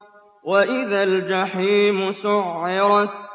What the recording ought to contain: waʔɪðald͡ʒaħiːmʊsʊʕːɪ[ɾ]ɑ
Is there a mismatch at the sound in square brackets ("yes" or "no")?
no